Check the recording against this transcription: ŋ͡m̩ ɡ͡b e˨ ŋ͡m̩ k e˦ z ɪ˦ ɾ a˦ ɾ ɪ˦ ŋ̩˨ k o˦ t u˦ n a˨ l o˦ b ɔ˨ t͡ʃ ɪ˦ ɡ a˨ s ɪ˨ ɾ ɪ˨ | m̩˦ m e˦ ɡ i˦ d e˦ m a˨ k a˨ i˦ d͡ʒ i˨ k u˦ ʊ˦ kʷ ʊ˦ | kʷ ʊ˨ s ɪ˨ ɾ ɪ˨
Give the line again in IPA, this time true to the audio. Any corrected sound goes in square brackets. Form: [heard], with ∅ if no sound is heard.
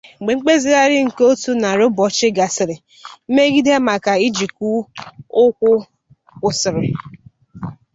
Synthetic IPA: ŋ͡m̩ ɡ͡b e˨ ŋ͡m̩ [k͡p] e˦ z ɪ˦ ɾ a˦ ɾ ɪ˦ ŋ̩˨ k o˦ t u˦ n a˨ [ɾ] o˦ b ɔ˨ t͡ʃ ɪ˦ ɡ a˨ s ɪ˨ ɾ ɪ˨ | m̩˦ m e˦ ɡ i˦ d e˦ m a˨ k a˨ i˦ d͡ʒ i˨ k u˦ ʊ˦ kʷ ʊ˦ | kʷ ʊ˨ s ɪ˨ ɾ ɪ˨

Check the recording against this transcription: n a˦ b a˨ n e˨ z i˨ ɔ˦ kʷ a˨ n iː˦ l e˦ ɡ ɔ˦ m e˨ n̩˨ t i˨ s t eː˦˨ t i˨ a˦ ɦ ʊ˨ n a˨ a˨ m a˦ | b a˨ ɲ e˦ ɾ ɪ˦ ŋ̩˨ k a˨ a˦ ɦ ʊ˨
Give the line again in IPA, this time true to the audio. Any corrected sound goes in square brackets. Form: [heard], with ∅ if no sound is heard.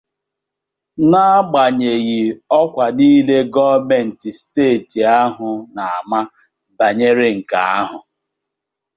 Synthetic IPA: n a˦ [ɡ͡b] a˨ [ɲ] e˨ [ɣ] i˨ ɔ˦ kʷ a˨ n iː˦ l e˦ ɡ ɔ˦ m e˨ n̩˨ t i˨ s t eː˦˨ t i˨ a˦ ɦ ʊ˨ n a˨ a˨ m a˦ | b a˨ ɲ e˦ ɾ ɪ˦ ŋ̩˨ k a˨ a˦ ɦ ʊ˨

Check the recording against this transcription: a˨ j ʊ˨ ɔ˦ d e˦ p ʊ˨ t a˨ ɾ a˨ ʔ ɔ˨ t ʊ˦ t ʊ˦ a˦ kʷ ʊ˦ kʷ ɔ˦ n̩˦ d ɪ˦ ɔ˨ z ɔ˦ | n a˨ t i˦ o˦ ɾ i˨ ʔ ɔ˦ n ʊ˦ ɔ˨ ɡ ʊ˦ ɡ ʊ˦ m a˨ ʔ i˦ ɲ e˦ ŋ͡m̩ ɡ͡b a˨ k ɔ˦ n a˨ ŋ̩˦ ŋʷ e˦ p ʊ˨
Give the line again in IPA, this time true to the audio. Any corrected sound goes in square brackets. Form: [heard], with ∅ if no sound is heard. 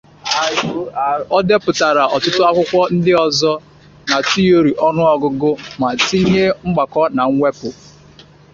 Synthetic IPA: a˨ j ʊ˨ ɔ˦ d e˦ p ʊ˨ t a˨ ɾ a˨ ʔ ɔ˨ t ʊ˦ t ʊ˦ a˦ kʷ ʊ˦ kʷ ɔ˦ n̩˦ d ɪ˦ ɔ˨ z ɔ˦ | n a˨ t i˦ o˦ ɾ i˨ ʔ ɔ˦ n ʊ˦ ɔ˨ ɡ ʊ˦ ɡ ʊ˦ m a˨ [t] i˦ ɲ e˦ ŋ͡m̩ ɡ͡b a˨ k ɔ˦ n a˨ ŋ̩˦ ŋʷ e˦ p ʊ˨

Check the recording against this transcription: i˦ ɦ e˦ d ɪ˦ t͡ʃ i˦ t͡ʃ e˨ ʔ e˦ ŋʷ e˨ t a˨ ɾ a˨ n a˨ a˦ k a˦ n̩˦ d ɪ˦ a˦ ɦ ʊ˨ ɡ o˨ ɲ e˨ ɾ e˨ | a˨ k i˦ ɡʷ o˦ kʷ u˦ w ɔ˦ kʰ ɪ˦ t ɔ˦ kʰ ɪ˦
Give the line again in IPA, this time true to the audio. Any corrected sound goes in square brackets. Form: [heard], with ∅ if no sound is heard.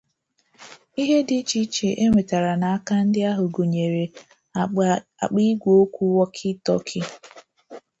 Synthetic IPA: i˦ ɦ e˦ d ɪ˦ t͡ʃ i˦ t͡ʃ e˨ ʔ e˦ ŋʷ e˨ t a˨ ɾ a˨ n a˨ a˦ k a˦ n̩˦ d ɪ˦ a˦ ɦ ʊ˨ ɡ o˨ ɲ e˨ ɾ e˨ | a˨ [k͡p] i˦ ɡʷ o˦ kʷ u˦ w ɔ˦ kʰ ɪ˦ t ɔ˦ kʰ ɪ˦

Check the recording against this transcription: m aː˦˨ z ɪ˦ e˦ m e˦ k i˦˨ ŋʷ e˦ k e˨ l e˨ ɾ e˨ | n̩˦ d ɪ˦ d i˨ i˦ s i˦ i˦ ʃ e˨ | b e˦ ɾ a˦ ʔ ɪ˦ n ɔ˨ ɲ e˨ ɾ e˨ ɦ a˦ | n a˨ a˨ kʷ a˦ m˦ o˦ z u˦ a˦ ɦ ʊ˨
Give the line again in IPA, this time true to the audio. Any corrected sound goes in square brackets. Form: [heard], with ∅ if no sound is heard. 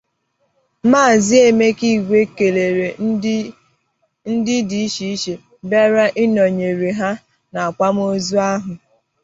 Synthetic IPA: m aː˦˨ z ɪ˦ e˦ m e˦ k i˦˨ [ɡʷ] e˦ k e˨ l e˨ ɾ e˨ | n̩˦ d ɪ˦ d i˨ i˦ [ʃ] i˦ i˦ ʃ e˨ | b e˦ ɾ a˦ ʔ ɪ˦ n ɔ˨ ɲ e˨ ɾ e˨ ɦ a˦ | n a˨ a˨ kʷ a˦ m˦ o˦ z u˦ a˦ ɦ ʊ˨

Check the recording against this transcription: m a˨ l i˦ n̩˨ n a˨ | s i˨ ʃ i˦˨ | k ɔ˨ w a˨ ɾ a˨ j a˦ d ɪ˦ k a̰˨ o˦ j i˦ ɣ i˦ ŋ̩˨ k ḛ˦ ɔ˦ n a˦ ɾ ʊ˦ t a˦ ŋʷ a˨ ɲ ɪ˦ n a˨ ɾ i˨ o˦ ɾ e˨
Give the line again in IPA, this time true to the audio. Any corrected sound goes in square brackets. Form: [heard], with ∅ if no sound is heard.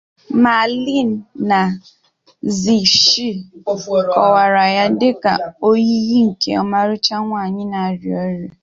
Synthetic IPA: m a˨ l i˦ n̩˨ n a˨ | [z] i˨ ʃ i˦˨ | k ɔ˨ w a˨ ɾ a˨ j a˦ d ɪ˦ k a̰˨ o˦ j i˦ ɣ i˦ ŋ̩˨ k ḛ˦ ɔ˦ [m] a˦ ɾ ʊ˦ [t͡ʃ] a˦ ŋʷ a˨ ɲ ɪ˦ n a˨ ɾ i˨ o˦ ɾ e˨

